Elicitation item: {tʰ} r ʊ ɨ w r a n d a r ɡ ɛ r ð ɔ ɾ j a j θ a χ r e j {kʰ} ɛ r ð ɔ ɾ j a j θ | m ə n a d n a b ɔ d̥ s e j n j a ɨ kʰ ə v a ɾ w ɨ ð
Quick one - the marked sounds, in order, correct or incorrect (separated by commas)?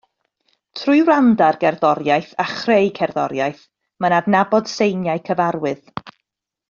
correct, correct